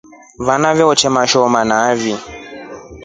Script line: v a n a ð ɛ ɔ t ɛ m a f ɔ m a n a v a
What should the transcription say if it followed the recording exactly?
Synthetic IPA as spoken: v a n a v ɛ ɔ t͡ʃ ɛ m a ʃ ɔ m a n a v i